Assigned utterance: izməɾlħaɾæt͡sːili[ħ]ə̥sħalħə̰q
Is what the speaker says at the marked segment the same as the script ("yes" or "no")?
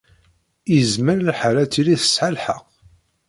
no